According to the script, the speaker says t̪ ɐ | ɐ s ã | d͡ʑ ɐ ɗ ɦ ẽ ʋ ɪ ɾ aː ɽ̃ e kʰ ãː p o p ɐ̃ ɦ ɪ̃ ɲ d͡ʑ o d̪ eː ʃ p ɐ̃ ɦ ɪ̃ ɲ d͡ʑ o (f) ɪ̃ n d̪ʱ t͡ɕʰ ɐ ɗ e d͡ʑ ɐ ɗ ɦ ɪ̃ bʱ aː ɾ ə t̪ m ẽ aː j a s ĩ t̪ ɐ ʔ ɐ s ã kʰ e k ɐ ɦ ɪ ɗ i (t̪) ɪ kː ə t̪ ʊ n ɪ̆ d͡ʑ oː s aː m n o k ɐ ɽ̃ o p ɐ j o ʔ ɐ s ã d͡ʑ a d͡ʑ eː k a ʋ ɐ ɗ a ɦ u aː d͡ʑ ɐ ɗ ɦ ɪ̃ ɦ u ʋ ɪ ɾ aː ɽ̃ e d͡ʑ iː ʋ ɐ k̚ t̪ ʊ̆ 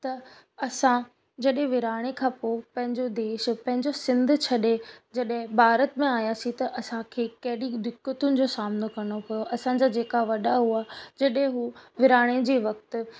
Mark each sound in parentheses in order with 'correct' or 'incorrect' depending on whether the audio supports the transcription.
incorrect: s, incorrect: d̪

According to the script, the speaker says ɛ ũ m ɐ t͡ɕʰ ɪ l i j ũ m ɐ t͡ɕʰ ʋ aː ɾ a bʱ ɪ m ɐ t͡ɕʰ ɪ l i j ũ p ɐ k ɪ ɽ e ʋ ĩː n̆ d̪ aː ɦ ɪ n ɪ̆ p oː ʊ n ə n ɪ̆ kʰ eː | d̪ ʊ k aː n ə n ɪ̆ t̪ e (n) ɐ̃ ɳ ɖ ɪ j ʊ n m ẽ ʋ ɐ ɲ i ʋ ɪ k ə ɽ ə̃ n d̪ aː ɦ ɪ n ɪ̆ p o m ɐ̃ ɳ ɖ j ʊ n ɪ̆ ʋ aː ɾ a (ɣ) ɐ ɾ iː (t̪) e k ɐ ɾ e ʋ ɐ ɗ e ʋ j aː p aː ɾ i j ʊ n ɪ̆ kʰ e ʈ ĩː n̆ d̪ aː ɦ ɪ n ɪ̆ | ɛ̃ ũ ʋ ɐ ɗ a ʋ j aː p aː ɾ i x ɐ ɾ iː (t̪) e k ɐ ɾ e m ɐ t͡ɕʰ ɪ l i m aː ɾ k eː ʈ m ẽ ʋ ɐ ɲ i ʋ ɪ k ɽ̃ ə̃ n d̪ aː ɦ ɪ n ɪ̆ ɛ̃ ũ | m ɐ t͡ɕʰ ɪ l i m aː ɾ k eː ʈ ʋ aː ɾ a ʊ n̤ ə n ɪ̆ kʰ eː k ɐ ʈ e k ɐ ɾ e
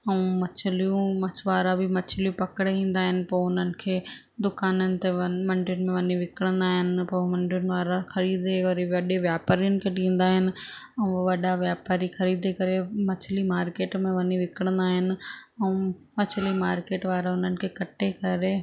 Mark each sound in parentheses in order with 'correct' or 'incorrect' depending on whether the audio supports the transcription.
incorrect: m, incorrect: x, incorrect: d̪, incorrect: d̪

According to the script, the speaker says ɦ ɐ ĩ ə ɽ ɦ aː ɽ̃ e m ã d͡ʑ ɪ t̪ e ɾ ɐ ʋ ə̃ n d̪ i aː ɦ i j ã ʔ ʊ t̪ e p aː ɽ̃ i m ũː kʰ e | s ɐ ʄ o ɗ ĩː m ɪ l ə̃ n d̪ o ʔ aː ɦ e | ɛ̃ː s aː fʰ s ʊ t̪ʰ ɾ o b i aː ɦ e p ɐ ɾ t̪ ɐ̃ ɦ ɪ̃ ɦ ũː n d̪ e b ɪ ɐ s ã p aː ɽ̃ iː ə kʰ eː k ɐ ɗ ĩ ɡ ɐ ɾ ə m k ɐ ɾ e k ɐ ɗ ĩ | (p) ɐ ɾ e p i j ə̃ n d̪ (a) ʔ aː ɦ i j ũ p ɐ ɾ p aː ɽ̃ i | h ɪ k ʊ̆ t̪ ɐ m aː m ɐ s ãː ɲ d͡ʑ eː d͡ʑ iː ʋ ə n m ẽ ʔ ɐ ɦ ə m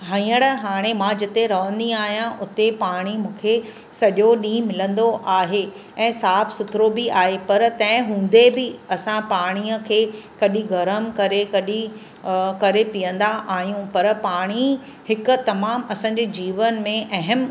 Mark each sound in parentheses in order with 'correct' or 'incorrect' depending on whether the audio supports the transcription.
incorrect: k, correct

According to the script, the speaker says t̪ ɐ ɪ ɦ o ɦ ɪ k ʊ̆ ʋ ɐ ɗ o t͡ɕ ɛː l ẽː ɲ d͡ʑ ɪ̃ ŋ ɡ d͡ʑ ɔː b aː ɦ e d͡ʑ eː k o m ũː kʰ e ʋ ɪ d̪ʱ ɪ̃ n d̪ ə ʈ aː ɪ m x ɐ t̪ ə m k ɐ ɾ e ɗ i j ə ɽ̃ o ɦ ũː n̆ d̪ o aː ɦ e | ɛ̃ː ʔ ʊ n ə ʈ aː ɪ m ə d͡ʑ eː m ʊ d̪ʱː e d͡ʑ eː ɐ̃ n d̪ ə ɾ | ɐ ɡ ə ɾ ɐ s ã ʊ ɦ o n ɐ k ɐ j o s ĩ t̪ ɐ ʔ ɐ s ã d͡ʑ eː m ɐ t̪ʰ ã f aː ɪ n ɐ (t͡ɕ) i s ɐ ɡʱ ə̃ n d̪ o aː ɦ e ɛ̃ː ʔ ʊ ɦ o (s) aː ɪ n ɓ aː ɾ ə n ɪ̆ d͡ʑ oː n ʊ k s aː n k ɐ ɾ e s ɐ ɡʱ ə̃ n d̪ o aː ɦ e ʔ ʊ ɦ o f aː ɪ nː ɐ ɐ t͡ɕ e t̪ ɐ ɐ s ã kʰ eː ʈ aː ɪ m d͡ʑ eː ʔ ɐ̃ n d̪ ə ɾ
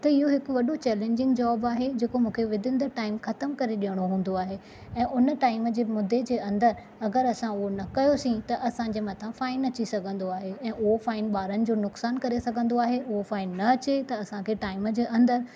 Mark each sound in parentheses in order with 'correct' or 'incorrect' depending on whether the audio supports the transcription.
correct, incorrect: f

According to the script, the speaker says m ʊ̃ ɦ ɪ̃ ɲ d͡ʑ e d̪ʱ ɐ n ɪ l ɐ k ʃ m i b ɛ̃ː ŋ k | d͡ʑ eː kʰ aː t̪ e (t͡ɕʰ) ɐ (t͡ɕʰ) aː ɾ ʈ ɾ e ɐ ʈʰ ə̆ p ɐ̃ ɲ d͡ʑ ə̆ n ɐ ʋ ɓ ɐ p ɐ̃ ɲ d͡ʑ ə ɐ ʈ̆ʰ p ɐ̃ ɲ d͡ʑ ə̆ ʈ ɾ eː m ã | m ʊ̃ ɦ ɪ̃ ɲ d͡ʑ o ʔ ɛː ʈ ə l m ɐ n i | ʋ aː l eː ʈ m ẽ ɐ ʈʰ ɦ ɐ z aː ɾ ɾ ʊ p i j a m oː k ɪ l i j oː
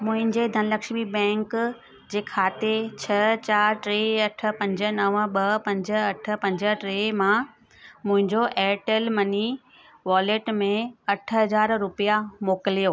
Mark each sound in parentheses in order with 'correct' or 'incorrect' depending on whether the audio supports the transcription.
correct, incorrect: t͡ɕ

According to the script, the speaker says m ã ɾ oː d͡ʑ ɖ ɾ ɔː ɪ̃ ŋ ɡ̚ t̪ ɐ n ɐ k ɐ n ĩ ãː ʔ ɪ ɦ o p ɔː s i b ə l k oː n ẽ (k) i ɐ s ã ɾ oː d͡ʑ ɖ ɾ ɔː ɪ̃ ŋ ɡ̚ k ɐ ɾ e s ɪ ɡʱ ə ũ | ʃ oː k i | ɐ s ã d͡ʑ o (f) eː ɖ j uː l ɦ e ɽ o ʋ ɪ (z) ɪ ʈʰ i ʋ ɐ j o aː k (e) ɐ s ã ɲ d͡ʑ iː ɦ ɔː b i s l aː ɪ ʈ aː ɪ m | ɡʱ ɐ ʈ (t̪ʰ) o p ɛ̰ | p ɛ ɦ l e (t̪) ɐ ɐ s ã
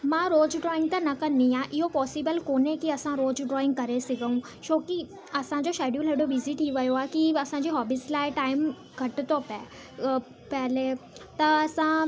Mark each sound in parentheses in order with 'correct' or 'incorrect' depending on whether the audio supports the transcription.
correct, incorrect: ʃ, correct, incorrect: i, incorrect: t̪, correct

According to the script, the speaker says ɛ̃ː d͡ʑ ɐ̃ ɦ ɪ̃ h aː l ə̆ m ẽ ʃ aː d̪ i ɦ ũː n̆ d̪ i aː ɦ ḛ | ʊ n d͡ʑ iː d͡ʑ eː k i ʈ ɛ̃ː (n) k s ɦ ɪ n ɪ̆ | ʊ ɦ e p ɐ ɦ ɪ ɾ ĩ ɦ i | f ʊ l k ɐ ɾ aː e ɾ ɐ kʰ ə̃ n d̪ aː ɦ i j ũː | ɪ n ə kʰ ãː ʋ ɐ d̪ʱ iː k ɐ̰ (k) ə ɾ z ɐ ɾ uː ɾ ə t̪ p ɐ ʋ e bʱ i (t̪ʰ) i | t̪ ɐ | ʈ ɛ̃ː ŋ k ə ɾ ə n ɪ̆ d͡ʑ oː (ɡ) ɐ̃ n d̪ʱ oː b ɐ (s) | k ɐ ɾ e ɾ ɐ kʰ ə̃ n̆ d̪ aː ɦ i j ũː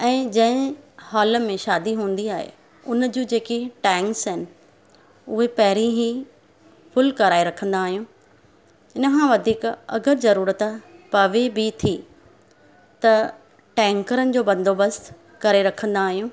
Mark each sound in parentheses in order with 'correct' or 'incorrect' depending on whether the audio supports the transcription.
incorrect: ŋ, incorrect: ɡ, correct, incorrect: b, correct

